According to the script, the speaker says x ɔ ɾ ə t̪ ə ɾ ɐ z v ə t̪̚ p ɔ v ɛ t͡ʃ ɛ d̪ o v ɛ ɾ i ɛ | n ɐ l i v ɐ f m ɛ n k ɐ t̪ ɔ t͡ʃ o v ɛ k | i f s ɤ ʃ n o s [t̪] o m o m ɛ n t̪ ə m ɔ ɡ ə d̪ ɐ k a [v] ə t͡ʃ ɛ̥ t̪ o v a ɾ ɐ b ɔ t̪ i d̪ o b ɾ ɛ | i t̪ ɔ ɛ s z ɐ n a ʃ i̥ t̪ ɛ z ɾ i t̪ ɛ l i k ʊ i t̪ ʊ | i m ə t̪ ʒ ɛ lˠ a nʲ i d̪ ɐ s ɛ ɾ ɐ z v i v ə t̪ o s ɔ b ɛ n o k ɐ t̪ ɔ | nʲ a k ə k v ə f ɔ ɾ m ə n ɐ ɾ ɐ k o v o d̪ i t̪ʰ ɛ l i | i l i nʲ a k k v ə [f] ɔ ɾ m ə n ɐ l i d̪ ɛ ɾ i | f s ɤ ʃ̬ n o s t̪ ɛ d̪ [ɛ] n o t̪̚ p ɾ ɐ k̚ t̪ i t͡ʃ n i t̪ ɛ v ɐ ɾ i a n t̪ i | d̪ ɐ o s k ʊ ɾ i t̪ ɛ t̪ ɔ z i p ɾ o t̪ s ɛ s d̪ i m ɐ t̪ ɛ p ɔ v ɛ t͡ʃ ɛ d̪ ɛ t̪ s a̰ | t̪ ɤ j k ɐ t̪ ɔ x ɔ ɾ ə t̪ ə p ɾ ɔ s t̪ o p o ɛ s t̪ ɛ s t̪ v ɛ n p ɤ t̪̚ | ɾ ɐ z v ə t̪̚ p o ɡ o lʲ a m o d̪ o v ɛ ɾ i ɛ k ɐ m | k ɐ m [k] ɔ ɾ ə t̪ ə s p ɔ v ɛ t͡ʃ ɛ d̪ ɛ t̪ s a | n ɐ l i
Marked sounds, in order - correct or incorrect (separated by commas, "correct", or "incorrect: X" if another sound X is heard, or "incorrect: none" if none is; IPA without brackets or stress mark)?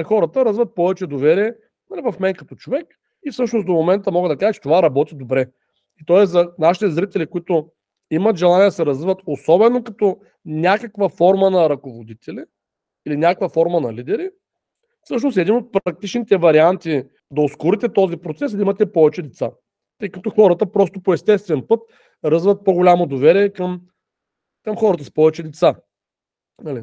incorrect: d̪, incorrect: ʒ, correct, incorrect: i, incorrect: x